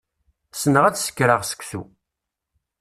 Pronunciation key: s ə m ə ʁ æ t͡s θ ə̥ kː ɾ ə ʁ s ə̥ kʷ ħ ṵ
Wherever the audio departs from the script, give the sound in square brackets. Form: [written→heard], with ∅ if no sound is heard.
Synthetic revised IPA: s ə [m→n] ə ʁ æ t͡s [θ→s] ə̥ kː ɾ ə ʁ s ə̥ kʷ [ħ→s] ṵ